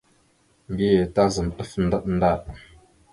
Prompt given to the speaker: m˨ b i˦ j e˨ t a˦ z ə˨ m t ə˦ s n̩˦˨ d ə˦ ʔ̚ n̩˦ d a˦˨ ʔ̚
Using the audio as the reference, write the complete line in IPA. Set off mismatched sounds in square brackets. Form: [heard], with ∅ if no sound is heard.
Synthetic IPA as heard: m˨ b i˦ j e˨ t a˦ z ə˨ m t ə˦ [f] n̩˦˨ d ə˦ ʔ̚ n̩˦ d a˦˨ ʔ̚